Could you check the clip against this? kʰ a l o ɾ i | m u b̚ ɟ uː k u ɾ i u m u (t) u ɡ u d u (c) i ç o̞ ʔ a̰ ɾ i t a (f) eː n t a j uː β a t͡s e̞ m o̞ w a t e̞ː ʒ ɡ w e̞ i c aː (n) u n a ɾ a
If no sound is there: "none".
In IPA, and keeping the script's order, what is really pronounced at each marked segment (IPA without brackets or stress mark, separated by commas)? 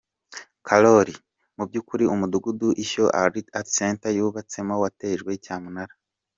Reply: d, ʔ, s, m